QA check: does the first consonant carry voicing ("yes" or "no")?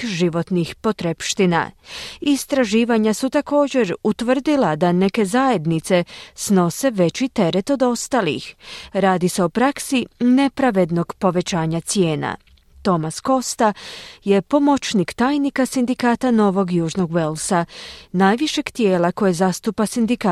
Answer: yes